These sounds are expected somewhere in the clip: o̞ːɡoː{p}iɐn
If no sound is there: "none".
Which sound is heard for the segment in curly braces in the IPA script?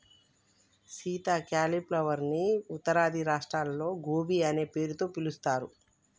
b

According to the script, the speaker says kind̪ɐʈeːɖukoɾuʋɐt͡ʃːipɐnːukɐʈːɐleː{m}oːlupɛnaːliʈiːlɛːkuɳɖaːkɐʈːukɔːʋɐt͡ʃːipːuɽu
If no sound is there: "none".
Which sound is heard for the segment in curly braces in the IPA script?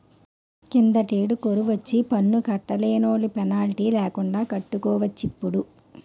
n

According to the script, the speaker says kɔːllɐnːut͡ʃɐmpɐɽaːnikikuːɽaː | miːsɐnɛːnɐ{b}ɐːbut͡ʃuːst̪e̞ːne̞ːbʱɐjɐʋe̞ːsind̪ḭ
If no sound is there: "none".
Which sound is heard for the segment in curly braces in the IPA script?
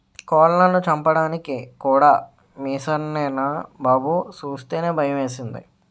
b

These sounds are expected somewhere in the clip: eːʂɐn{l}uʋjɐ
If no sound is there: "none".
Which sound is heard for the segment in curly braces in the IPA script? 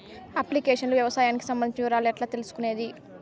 l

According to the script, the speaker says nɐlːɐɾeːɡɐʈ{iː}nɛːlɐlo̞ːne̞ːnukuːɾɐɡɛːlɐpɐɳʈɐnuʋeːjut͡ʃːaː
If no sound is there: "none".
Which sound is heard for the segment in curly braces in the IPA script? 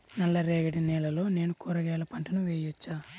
i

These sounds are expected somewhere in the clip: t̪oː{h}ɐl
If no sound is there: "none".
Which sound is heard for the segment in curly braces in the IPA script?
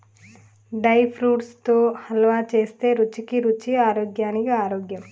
h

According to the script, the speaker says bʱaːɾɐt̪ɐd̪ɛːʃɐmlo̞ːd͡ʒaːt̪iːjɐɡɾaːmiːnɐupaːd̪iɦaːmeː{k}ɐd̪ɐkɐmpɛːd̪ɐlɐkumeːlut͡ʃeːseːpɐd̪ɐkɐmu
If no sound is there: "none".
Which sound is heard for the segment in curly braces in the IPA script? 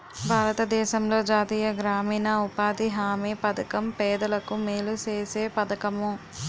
p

